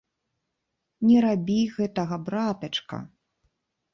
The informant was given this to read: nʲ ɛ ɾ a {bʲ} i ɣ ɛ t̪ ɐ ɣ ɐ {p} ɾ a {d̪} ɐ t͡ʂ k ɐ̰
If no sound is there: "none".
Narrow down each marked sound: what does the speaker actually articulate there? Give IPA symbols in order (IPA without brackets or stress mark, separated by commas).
bʲ, b, t̪